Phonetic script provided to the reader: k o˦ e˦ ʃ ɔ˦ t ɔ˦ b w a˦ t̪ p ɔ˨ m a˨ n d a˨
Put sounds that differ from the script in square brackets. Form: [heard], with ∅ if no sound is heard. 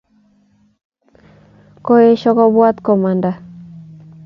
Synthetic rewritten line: k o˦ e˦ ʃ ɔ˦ [k] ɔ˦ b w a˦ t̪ [k] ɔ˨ m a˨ n d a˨